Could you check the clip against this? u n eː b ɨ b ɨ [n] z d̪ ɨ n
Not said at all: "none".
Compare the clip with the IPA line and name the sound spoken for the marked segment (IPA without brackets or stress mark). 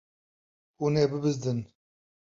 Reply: none